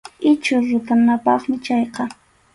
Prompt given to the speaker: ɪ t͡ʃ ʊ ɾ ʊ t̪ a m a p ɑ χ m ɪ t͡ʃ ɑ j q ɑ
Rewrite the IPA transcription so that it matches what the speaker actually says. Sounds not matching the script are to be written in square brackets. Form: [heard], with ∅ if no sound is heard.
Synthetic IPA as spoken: ɪ t͡ʃ ʊ ɾ ʊ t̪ a [n] a p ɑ χ m ɪ t͡ʃ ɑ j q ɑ